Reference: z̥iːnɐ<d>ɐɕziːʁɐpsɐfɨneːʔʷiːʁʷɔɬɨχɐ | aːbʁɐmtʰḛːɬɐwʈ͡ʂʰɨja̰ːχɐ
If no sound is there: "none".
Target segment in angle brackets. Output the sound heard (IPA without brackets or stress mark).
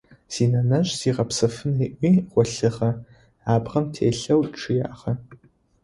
n